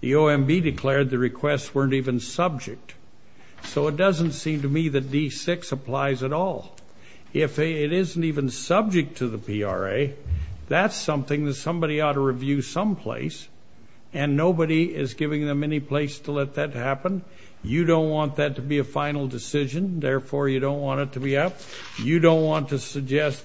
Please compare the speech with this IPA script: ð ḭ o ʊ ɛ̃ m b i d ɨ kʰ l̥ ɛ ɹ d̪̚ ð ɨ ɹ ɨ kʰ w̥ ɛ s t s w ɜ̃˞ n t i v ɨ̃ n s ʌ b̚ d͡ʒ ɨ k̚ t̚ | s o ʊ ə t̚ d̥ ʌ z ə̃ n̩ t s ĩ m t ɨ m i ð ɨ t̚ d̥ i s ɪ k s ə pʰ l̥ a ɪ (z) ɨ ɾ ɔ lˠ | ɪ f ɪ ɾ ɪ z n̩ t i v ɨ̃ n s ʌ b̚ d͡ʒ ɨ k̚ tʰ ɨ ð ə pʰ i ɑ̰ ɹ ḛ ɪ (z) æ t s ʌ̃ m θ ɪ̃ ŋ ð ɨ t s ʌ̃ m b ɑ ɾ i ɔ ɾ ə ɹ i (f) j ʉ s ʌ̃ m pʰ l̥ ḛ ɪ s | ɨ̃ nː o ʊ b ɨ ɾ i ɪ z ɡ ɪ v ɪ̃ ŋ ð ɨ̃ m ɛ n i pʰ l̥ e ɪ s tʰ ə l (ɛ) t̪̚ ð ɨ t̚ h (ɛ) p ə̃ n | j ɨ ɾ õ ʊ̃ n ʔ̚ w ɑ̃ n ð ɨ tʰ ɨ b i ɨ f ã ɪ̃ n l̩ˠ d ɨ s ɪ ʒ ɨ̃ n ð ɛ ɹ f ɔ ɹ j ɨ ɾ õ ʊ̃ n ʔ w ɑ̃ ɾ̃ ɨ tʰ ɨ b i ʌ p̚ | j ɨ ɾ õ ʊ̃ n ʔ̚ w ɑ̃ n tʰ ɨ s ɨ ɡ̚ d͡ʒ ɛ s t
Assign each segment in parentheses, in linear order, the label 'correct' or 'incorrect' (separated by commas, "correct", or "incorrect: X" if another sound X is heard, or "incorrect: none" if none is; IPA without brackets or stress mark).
correct, incorrect: ð, incorrect: v, correct, incorrect: æ